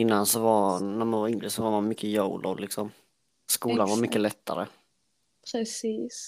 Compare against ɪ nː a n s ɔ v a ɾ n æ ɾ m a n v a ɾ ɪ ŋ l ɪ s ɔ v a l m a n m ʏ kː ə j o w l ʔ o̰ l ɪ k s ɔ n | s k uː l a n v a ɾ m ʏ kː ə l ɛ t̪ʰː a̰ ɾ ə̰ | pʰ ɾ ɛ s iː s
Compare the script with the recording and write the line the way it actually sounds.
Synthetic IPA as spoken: ɪ nː a n s ɔ v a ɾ n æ ɾ m a n v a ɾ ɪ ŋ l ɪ s ɔ v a ɾ m a n m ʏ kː ə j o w l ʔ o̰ l ɪ k s ɔ m | s k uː l a n v a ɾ m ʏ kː ə l ɛ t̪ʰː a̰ ɾ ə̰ | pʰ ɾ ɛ s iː s